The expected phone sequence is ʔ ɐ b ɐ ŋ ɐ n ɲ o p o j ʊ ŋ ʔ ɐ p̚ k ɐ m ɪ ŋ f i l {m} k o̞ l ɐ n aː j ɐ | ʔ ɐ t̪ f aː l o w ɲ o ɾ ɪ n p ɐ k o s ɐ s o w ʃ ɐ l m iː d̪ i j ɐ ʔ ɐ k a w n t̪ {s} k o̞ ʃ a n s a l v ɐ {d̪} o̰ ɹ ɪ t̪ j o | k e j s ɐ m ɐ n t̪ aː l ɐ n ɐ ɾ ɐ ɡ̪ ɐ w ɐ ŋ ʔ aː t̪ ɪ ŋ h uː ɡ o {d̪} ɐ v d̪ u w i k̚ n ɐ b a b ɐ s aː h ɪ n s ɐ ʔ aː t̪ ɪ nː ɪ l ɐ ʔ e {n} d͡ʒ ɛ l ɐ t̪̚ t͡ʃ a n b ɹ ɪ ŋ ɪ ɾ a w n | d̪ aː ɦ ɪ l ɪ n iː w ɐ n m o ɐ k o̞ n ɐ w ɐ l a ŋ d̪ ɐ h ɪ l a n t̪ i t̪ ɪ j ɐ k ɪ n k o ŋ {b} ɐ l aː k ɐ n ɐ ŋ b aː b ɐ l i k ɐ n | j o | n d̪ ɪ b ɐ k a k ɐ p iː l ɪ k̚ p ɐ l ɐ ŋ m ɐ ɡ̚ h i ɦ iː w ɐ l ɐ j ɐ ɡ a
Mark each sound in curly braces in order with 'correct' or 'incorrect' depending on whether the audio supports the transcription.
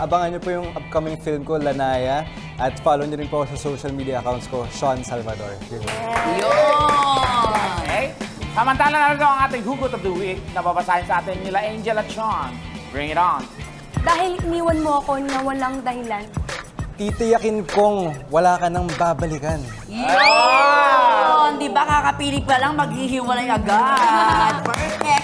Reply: correct, correct, correct, incorrect: t̪, correct, incorrect: w

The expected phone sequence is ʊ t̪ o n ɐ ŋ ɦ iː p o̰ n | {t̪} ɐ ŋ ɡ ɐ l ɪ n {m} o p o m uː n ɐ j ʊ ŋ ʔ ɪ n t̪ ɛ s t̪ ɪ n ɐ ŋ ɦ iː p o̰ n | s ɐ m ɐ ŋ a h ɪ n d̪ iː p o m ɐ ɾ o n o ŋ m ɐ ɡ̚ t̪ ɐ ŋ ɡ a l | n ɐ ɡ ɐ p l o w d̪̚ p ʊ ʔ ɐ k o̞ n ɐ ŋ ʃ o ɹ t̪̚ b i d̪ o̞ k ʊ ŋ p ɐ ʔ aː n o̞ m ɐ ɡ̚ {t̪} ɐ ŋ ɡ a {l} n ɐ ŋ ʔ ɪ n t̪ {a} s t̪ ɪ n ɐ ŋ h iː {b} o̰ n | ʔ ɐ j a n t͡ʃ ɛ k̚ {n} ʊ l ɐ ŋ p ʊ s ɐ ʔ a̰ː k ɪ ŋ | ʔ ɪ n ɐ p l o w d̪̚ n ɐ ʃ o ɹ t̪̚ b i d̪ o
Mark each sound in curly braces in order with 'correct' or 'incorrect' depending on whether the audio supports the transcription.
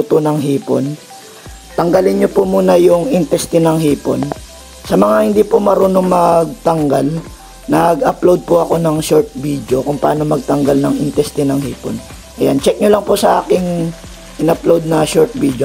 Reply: correct, incorrect: ɲ, correct, correct, incorrect: ɛ, incorrect: p, incorrect: ɲ

